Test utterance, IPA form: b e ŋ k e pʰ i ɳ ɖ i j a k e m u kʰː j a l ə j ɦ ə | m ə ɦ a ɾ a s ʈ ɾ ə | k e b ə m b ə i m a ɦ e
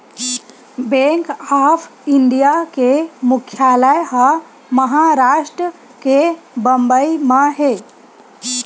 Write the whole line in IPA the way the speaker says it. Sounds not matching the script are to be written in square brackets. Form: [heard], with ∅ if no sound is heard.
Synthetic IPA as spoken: b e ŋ k [a] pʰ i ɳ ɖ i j a k e m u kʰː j a l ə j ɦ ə | m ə ɦ a ɾ a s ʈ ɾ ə | k e b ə m b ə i m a ɦ e